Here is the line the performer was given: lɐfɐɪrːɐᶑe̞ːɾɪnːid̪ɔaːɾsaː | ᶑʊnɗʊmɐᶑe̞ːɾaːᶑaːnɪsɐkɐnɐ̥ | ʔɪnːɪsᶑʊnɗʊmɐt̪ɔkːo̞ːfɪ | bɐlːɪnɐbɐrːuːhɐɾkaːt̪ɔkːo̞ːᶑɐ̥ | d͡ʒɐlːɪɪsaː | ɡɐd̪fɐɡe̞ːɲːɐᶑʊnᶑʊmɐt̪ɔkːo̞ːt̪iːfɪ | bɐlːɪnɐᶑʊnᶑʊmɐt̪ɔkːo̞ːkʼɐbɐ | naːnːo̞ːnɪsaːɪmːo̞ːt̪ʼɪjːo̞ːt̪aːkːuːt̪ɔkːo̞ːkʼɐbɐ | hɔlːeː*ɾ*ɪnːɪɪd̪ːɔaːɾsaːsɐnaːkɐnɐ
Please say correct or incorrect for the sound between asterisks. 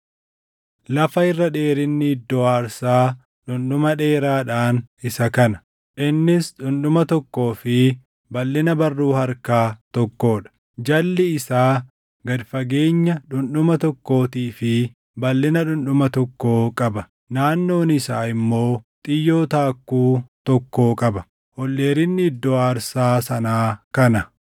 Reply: correct